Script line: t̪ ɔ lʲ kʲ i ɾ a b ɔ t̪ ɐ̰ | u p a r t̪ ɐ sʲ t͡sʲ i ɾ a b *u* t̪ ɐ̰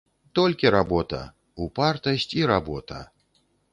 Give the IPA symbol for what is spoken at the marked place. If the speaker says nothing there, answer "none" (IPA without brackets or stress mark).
ɔ